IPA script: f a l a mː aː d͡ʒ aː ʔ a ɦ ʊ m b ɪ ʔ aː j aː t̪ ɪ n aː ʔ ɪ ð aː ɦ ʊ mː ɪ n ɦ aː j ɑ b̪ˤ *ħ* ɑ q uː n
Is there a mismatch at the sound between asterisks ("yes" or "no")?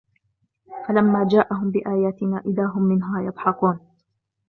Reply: no